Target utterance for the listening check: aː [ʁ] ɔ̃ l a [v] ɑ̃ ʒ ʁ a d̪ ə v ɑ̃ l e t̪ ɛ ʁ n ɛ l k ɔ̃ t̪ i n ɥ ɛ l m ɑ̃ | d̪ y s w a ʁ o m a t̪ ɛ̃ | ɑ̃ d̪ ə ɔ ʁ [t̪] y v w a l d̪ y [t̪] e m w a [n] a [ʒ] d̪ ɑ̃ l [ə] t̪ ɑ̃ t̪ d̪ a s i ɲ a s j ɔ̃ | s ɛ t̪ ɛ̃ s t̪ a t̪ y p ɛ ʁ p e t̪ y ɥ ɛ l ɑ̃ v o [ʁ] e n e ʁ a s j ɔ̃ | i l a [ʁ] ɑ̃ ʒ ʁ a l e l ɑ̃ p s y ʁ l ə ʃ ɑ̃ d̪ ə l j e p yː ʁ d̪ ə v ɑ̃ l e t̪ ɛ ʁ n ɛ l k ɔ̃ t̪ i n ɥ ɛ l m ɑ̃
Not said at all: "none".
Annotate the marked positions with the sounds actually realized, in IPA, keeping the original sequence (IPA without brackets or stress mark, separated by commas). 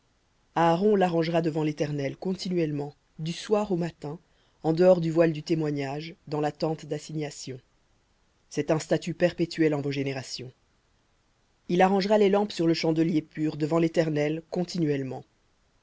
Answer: ʁ, ʁ, d̪, t̪, ɲ, ʒ, a, ʒ, ʁ